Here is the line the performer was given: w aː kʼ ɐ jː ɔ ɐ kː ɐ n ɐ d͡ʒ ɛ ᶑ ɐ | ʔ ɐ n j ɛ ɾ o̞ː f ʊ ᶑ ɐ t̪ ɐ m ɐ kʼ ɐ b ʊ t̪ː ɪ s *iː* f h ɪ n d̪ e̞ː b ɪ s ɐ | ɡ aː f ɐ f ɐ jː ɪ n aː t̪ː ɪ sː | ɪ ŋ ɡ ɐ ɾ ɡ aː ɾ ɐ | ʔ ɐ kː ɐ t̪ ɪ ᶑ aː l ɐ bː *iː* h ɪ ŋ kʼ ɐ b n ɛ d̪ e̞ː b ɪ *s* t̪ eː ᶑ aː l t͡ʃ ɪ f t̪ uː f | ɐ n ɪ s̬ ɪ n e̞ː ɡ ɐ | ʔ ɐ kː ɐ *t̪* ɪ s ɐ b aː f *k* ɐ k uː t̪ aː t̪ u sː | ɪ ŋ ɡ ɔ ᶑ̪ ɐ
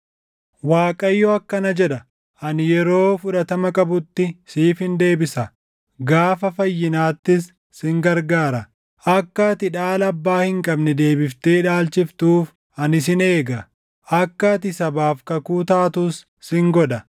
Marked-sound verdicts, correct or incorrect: correct, incorrect: aː, incorrect: f, correct, correct

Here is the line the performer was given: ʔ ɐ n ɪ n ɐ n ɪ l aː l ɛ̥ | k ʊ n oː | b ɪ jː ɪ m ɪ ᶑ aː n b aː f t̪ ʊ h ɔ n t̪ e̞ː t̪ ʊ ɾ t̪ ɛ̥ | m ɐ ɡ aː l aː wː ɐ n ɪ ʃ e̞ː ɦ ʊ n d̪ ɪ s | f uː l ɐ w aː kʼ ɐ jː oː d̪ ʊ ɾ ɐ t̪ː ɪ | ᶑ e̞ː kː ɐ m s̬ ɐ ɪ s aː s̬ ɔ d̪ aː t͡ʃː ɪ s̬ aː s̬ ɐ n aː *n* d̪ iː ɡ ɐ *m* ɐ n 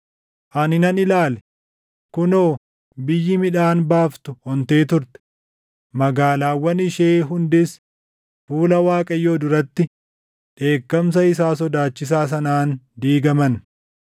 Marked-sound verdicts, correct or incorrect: correct, correct

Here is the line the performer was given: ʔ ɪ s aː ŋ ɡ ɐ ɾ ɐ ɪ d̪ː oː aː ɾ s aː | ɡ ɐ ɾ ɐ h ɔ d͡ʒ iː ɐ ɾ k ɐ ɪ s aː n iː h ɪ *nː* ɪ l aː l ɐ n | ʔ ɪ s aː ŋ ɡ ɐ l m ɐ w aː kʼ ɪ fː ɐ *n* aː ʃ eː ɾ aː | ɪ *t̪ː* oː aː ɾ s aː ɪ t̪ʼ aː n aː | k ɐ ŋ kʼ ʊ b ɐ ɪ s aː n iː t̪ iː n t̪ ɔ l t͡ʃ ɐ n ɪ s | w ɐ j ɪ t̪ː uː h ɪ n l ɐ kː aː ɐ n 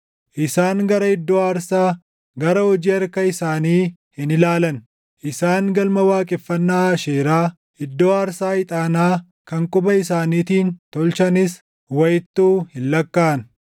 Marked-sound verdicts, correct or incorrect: incorrect: n, incorrect: nː, incorrect: d̪ː

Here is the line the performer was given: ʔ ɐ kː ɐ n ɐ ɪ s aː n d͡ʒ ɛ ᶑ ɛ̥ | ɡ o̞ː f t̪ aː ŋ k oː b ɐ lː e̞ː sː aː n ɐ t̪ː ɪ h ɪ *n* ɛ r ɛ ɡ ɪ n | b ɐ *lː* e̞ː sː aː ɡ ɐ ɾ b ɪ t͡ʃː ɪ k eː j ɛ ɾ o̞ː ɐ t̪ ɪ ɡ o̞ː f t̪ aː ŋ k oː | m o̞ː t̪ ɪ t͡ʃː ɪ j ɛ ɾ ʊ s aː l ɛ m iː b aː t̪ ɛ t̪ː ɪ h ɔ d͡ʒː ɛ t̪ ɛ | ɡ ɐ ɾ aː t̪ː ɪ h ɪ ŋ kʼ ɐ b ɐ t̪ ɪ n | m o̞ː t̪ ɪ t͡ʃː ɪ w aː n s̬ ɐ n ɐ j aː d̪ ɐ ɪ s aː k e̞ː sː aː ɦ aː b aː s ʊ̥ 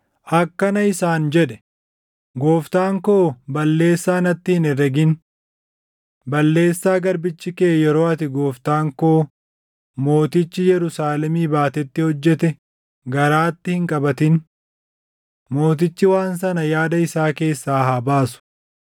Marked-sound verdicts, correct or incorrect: correct, correct

